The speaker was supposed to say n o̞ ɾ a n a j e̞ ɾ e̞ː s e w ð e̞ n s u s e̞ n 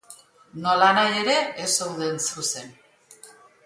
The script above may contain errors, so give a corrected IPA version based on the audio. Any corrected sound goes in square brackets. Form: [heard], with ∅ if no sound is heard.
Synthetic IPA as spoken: n o̞ [l] a n a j e̞ ɾ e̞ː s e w ð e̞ n s u s e̞ n